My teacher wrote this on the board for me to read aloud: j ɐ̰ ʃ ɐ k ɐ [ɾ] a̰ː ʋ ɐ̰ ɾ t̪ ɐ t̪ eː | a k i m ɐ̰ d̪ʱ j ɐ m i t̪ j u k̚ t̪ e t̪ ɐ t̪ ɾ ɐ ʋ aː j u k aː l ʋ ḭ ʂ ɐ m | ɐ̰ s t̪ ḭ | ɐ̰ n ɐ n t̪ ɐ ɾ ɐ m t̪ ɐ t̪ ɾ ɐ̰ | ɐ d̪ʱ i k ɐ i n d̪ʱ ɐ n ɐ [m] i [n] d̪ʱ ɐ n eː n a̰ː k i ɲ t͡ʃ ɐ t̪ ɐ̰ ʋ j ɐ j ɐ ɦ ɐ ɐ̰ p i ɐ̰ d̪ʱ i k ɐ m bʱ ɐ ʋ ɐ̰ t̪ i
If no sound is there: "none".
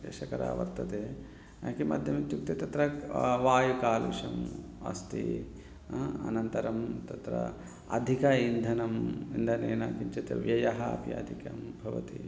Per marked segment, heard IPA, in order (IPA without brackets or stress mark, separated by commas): ɾ, m, n